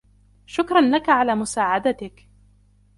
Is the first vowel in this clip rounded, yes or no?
yes